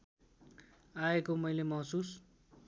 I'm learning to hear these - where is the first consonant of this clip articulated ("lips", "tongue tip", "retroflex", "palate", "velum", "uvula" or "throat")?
velum